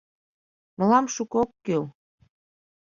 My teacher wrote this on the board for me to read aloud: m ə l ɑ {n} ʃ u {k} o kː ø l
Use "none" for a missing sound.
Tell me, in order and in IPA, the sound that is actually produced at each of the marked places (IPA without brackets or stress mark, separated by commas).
m, k